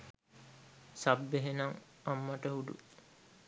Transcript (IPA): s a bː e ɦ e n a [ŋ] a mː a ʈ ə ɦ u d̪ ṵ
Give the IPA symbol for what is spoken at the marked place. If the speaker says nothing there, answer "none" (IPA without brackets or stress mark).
ŋ